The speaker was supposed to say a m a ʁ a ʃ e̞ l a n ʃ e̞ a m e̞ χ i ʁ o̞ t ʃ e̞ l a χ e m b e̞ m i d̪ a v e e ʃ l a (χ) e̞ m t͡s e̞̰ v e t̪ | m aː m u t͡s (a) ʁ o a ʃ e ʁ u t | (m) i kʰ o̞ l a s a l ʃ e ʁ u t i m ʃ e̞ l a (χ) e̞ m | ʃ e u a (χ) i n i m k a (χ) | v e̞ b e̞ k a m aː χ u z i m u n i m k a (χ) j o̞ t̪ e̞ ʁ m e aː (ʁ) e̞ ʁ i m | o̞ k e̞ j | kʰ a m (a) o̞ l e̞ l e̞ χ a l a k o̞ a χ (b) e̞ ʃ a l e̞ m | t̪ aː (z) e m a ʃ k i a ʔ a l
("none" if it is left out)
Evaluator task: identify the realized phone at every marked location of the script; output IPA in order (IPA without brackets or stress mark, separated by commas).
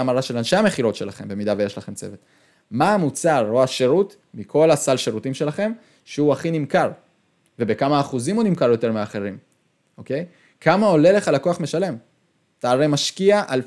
χ, a, m, χ, χ, ʁ, ʁ, χ, a, m, ʁ